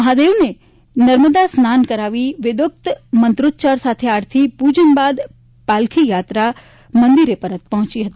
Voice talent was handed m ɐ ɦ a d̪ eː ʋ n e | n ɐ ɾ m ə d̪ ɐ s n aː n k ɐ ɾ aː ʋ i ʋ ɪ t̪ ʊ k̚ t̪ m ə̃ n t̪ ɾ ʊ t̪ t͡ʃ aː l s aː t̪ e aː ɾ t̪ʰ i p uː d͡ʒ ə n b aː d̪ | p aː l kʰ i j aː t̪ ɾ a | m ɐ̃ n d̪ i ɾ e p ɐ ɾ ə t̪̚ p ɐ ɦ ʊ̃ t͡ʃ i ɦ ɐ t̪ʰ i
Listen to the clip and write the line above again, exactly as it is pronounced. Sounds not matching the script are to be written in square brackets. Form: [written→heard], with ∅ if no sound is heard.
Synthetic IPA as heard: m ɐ ɦ a d̪ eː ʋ n e | n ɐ ɾ m ə d̪ [ɐ→a] s n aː n k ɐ ɾ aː ʋ i ʋ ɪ [t̪→d̪] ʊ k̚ t̪ m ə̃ n t̪ ɾ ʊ t̪ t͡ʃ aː [l→ɾ] s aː [t̪→t̪ʰ] e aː ɾ t̪ʰ i p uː d͡ʒ ə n b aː d̪ | p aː l kʰ i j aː t̪ ɾ a | m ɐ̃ n d̪ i ɾ e p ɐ ɾ ə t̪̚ p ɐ ɦ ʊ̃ t͡ʃ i ɦ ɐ [t̪ʰ→t̪] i